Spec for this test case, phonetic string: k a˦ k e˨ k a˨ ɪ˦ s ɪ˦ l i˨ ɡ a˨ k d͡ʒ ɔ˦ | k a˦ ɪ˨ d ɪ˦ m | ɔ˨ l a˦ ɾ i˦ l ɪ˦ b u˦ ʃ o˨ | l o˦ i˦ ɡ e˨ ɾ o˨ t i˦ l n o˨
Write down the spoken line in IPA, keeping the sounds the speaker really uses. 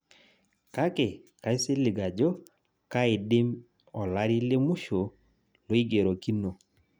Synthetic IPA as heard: k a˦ k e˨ k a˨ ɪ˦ s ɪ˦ l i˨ ɡ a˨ d͡ʒ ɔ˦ | k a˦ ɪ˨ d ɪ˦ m | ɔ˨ l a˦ ɾ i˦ l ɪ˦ m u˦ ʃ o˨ | l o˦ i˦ ɡ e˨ ɾ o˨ k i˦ n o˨